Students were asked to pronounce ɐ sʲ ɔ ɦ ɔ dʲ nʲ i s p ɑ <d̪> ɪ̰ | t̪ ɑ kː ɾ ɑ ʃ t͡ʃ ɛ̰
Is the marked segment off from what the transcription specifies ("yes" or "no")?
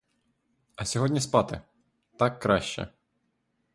yes